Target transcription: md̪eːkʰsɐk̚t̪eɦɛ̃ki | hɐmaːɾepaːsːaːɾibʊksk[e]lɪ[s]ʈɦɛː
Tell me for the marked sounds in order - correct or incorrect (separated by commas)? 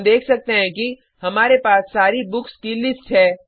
incorrect, correct